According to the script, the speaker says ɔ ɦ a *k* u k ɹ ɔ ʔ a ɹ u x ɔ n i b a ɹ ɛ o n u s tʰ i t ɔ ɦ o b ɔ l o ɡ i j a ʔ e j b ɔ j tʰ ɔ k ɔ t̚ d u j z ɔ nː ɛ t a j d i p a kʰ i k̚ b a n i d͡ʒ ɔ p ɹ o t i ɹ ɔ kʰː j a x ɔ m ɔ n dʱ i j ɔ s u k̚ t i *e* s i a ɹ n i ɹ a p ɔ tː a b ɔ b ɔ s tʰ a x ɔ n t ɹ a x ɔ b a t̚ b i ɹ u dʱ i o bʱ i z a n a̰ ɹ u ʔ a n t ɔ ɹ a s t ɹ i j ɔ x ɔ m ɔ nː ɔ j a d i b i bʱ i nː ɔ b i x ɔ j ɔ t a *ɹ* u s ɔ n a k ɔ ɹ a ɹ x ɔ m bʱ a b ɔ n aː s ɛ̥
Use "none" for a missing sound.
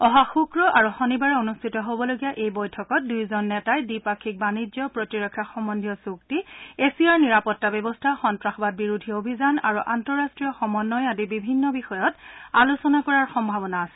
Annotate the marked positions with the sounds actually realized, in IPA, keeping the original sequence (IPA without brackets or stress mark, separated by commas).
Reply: x, e, l